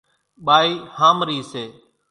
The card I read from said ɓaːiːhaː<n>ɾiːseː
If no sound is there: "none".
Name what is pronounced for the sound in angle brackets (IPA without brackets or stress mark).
m